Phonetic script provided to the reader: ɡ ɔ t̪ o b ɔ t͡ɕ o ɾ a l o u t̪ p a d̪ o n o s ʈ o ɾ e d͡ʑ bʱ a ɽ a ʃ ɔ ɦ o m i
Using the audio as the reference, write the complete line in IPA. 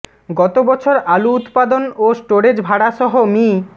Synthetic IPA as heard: ɡ ɔ t̪ o b ɔ t͡ɕʰ o ɾ a l u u t̪ p a d̪ o n o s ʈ o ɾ e d͡ʑ bʱ a ɽ a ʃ ɔ ɦ o m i